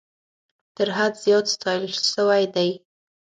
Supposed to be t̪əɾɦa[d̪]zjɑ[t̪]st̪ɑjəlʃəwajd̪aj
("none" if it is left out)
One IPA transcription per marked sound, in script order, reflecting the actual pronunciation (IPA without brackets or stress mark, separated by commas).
d̪, t̪